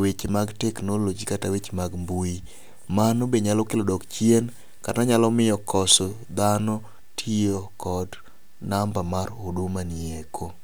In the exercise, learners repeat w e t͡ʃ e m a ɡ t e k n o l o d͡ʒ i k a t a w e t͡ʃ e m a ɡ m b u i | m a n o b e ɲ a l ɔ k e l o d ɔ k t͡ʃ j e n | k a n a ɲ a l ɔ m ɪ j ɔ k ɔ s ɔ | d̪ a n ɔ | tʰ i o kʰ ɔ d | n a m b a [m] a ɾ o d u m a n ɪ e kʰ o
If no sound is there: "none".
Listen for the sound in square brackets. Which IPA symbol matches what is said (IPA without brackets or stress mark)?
m